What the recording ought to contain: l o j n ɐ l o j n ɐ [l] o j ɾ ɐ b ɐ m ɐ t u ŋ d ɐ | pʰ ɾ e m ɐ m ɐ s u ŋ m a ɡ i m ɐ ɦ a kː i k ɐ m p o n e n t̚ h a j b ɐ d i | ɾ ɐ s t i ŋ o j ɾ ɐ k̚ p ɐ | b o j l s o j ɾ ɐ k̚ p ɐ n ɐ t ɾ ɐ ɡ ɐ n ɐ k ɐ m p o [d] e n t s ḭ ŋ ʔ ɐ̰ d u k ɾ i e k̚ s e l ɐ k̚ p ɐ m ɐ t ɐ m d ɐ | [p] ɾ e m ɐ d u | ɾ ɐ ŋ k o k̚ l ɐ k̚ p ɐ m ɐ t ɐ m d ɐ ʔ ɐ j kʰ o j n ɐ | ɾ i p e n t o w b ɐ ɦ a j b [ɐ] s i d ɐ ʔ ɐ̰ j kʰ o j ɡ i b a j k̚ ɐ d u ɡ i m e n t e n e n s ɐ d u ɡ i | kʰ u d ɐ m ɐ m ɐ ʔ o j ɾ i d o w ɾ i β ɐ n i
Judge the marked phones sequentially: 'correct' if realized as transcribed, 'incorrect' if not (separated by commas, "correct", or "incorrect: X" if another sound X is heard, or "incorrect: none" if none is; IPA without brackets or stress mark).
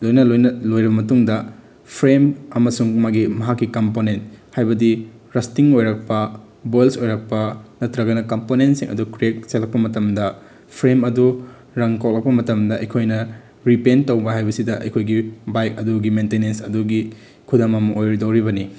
correct, incorrect: n, incorrect: pʰ, correct